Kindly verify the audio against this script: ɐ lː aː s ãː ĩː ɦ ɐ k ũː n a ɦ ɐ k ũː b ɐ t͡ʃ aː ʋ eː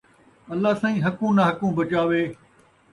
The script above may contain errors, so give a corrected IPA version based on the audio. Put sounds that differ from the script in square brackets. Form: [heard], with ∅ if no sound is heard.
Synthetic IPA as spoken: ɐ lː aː s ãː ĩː ɦ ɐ k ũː n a ɦ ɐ k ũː b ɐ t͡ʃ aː ʋ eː